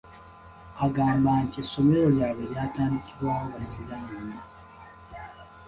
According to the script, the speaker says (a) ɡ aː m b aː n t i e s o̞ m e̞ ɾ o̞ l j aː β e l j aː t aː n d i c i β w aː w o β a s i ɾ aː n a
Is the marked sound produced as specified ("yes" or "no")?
yes